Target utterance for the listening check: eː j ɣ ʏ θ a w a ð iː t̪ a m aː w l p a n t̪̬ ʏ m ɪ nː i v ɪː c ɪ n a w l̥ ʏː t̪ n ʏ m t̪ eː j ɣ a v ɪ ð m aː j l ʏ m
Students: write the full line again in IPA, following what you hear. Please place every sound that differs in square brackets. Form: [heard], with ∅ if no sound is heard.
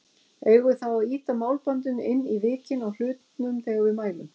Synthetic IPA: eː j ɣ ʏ θ a w a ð iː t̪ a m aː w l p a n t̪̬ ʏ [n] ɪ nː i v ɪː c ɪ n a w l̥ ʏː t̪ n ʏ m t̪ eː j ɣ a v ɪ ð m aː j l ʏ m